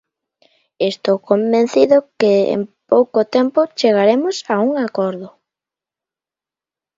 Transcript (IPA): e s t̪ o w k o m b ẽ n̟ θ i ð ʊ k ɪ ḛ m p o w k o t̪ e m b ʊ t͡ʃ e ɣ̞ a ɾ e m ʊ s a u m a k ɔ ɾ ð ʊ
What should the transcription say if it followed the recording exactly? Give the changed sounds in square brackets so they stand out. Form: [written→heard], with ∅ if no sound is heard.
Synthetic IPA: e s t̪ o w k o m b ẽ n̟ θ i ð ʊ k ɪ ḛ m p o w k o t̪ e m [b→p] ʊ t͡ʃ e ɣ̞ a ɾ e m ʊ s a u [m→ŋ] a k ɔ ɾ ð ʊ